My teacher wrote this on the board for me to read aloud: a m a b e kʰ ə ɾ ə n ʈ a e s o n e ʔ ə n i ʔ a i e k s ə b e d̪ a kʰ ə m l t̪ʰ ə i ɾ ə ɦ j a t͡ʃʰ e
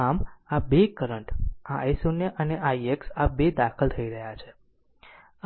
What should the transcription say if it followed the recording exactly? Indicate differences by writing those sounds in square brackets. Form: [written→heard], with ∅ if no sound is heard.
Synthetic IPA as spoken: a m a b e [kʰ→k] ə ɾ ə [n→ɳ] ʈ a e s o n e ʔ ə n [i→e] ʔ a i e k s [ə→a] b e d̪ a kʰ ə [m→∅] l t̪ʰ ə i ɾ ə ɦ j a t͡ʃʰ e